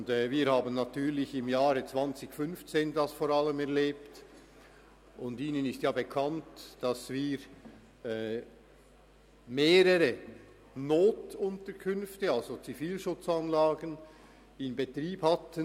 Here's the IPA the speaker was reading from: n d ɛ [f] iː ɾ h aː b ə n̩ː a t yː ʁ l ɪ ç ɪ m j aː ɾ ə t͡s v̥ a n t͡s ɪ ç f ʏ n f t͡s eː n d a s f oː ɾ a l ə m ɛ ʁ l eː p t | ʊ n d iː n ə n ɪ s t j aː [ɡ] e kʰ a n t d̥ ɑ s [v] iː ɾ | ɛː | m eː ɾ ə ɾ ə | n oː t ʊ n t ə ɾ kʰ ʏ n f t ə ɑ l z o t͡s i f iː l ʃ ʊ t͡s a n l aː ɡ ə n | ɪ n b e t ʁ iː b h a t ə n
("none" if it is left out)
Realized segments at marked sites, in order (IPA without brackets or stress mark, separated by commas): v, b, v